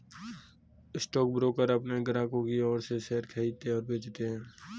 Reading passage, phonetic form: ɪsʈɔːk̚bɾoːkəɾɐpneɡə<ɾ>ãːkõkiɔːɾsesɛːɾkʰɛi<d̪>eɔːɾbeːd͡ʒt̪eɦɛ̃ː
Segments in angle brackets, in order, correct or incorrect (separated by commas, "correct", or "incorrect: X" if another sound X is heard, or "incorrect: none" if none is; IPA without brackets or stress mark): correct, incorrect: t̪